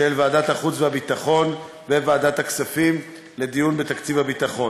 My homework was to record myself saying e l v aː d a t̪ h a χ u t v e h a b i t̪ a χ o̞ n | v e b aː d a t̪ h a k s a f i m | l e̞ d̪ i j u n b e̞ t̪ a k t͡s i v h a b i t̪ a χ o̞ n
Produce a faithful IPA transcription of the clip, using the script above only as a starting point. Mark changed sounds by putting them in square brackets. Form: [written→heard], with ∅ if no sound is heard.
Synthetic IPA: e l v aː d a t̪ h a χ u [t→t͡s] v e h a b i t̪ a χ o̞ n | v e [b→v] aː d a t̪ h a k s a f i m | l e̞ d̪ i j u n b e̞ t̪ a k t͡s i v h a b i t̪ a χ o̞ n